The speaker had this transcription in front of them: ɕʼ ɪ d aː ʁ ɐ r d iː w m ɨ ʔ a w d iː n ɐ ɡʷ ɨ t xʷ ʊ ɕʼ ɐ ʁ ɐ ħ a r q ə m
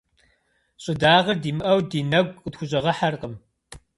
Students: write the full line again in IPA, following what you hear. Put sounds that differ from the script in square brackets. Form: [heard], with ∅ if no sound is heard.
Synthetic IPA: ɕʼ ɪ d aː ʁ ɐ r d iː [∅] m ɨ ʔ [ɐ] w d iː n ɐ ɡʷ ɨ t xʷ ʊ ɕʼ ɐ ʁ ɐ ħ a r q ə m